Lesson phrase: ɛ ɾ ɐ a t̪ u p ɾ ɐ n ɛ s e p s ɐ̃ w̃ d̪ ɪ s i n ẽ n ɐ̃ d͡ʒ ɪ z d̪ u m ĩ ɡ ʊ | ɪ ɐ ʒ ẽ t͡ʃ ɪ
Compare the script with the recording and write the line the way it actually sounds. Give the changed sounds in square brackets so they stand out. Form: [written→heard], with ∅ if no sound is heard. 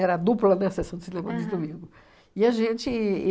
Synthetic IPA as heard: ɛ ɾ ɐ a [t̪→d̪] u p [ɾ→l] ɐ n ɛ s e [p→∅] s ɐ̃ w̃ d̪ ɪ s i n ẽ [n→m] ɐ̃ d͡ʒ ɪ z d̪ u m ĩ ɡ ʊ | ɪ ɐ ʒ ẽ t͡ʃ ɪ